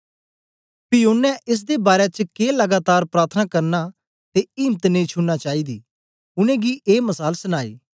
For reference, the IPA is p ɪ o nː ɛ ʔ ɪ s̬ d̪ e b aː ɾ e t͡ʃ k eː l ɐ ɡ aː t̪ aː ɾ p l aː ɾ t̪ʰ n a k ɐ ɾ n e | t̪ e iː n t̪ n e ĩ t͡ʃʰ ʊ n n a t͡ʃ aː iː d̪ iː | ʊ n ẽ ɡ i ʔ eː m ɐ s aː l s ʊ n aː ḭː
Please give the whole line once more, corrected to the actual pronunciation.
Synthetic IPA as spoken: p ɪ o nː ɛ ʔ ɪ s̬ d̪ e b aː ɾ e t͡ʃ k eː l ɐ ɡ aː t̪ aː ɾ p ɾ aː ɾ t̪ʰ n a k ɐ ɾ n a | t̪ e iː m t̪ n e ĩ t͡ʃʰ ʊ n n a t͡ʃ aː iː d̪ iː | ʊ n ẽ ɡ i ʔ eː m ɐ s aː l s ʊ n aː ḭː